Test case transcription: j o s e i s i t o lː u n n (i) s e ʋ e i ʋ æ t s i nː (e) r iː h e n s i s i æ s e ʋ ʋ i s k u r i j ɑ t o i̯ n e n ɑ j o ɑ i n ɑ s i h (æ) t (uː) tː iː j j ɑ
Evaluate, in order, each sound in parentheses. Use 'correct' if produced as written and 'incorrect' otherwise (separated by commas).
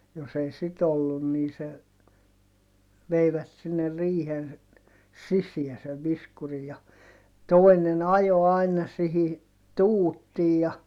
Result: incorrect, correct, incorrect, correct